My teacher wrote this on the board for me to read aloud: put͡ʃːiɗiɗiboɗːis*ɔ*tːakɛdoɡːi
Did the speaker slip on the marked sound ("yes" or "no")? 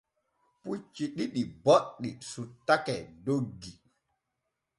yes